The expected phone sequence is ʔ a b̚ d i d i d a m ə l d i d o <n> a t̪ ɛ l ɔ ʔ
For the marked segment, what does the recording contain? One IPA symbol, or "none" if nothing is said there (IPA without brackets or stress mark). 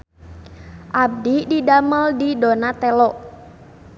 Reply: n